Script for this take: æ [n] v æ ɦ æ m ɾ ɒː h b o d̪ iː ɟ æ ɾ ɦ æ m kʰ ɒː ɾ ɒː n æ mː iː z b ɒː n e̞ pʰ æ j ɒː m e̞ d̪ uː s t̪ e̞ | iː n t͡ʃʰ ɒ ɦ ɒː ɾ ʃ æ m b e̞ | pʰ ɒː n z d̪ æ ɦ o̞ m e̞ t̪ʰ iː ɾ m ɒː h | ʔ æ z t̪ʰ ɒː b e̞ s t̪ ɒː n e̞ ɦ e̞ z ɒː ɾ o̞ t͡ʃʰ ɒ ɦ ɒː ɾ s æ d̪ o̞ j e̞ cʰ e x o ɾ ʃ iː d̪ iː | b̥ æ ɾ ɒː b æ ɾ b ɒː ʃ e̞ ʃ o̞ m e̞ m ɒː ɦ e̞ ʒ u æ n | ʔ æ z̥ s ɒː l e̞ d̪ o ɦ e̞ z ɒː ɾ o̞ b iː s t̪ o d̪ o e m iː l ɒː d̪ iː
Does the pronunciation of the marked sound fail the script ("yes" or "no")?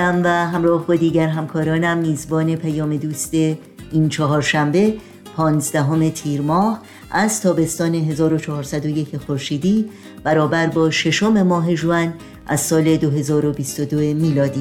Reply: yes